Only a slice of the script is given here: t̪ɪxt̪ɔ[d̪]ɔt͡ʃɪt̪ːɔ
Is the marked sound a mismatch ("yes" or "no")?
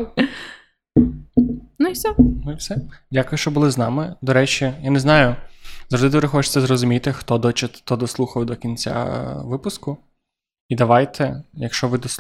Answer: no